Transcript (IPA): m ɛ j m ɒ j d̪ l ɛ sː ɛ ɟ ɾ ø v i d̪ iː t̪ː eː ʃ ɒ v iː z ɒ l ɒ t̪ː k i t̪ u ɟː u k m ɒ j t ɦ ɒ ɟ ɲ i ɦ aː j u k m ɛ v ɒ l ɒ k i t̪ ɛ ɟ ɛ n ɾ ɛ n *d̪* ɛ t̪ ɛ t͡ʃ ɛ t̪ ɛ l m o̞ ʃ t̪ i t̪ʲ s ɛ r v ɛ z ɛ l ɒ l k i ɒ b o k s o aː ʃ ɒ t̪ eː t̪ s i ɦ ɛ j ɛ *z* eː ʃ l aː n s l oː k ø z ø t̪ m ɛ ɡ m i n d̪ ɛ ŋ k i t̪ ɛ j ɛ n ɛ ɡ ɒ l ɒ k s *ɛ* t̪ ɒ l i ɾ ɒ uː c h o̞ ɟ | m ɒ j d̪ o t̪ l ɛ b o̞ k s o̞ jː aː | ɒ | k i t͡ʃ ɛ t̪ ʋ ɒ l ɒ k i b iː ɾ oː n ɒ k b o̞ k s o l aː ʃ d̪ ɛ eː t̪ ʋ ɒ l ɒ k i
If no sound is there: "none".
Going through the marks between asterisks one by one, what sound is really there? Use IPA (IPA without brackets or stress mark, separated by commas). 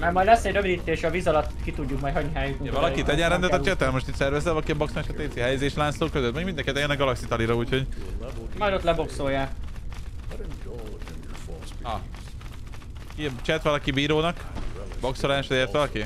d̪, z, i